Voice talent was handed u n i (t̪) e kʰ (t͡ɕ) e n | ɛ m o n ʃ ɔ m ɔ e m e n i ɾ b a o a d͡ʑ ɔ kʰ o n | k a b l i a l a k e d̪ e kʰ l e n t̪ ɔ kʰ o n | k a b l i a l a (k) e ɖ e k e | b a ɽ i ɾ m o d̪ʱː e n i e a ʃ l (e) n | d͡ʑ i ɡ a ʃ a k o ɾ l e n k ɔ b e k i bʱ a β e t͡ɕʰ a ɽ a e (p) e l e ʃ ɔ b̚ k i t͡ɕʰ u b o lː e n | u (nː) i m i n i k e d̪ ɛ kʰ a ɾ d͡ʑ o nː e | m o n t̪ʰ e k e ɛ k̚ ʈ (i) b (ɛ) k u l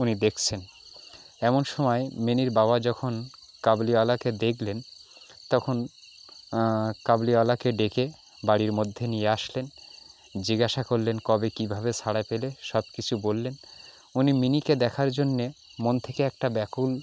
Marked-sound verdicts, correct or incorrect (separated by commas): incorrect, incorrect, correct, correct, correct, incorrect, incorrect, correct